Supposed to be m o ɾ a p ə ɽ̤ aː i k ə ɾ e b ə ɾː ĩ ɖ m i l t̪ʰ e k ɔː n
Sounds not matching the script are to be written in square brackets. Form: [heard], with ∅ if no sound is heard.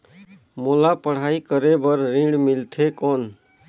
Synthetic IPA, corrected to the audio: m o [l] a p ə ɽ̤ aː i k ə ɾ e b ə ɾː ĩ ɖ m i l t̪ʰ e k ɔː n